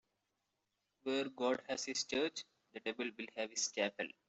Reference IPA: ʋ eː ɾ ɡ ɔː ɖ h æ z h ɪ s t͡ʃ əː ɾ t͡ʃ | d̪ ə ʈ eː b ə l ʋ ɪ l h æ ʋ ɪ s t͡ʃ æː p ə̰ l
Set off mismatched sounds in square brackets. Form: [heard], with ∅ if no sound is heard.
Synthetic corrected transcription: ʋ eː ɾ ɡ ɔː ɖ h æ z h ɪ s t͡ʃ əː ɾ t͡ʃ | d̪ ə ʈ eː b ə l ʋ ɪ l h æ ʋ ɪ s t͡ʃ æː p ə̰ l